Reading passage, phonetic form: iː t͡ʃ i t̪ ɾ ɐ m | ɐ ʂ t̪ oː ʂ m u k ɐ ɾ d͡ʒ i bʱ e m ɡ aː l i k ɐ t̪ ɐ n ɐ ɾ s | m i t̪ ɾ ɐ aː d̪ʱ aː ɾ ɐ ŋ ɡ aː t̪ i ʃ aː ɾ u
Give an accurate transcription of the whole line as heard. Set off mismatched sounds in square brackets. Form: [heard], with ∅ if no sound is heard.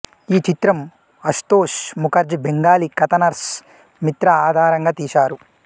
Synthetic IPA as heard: iː t͡ʃ i t̪ ɾ ɐ m | ɐ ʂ t̪ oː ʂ m u k ɐ ɾ d͡ʒ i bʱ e [ŋ] ɡ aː l i k ɐ t̪ ɐ n ɐ ɾ s | m i t̪ ɾ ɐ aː d̪ʱ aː ɾ ɐ ŋ ɡ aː t̪ [iː] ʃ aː ɾ u